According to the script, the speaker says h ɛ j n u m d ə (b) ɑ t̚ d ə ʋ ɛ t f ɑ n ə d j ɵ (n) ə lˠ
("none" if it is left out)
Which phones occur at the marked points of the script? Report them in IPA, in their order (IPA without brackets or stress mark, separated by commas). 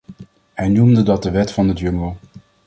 d, ŋ